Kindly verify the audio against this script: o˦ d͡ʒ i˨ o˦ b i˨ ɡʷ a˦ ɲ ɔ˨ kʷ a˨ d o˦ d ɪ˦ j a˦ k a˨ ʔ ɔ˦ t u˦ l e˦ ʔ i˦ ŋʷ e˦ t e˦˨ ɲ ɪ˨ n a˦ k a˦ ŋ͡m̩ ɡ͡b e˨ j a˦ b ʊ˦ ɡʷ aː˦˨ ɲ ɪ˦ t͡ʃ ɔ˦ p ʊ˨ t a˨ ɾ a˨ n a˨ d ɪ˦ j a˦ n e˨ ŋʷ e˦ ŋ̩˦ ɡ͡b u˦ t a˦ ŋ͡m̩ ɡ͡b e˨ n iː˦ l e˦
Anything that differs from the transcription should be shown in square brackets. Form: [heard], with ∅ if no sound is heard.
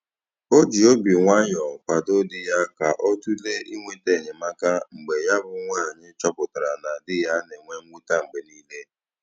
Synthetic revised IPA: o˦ d͡ʒ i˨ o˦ b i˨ [ŋʷ] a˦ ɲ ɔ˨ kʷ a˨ d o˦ d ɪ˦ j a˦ k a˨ ʔ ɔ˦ t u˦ l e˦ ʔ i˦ ŋʷ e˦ t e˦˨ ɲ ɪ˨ [m] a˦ k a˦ ŋ͡m̩ ɡ͡b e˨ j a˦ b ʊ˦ [ŋʷ] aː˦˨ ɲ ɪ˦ t͡ʃ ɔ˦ p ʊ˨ t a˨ ɾ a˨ n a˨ d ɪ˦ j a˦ n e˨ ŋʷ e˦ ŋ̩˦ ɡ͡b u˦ t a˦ ŋ͡m̩ ɡ͡b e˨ n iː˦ l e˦